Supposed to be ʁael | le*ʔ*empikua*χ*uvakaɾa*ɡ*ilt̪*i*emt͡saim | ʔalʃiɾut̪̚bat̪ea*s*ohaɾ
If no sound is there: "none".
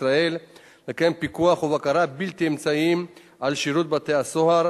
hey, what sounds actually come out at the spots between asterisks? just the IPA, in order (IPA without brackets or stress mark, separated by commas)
k, χ, b, i, s